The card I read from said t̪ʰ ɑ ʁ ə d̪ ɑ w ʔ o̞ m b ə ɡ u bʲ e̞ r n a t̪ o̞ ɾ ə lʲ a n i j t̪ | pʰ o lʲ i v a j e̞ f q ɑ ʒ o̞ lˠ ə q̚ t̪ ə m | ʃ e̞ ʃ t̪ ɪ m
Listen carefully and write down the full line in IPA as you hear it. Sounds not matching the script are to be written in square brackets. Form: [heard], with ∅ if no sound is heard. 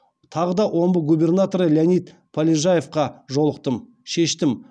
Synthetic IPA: t̪ʰ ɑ ʁ ə d̪ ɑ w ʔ o̞ m b ə ɡ u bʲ e̞ r n a t̪ o̞ ɾ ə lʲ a n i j t̪ | pʰ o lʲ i [ʒ] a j e̞ f q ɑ ʒ o̞ lˠ ə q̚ t̪ ə m | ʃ e̞ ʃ t̪ ɪ m